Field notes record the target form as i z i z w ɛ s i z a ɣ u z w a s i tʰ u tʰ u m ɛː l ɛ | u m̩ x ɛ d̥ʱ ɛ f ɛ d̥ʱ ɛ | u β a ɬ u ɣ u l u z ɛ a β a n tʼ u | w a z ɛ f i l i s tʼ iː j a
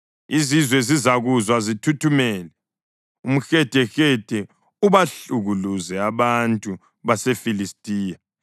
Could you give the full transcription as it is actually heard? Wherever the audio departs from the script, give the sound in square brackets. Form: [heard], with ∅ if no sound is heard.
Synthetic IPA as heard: i z i z w ɛ [z] i z a ɣ u z w a [z] i tʰ u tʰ u m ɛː l ɛ | u m̩ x ɛ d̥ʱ ɛ [x] ɛ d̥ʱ ɛ | u β a ɬ u ɣ u l u z ɛ a β a n tʼ u | [β] a [s] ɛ f i l i s tʼ iː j a